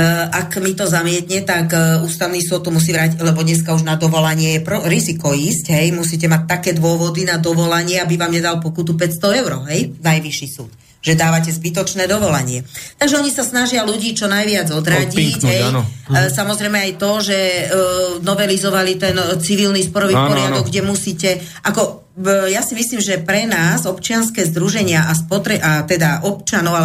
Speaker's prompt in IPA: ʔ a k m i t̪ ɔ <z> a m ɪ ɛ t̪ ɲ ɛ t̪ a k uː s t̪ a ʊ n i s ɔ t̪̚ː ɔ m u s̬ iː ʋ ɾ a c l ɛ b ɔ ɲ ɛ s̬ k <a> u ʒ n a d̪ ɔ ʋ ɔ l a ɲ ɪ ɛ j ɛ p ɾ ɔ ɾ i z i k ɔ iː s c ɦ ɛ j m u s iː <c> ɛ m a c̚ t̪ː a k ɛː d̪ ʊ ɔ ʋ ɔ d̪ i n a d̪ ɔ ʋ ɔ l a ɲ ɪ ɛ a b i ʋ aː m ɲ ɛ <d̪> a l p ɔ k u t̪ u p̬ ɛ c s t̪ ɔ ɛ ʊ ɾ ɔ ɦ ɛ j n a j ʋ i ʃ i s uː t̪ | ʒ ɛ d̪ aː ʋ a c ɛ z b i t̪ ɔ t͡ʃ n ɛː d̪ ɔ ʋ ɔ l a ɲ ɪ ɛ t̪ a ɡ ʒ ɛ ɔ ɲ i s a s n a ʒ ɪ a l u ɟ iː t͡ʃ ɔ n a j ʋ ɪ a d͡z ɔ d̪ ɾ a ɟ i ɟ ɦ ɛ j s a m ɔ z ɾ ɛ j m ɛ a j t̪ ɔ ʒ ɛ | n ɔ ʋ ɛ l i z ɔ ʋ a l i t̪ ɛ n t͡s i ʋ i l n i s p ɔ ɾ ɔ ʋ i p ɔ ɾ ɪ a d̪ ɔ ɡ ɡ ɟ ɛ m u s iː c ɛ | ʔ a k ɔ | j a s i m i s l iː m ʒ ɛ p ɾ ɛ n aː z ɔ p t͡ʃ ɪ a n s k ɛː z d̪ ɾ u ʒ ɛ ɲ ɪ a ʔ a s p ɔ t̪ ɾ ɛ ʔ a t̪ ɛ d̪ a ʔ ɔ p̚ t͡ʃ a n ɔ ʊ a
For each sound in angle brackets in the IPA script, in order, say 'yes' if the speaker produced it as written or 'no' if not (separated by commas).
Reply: yes, yes, yes, yes